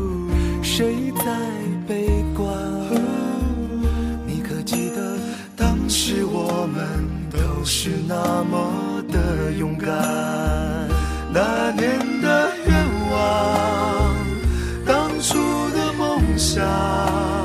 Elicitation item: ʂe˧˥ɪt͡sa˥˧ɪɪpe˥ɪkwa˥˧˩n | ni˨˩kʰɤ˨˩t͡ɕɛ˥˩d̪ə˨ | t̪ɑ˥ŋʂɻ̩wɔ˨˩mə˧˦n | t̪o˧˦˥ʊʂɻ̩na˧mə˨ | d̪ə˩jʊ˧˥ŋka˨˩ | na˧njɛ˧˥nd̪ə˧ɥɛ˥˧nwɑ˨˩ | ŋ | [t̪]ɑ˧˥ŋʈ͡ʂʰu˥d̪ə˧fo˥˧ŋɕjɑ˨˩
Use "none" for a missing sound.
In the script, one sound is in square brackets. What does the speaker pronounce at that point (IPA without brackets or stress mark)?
t̪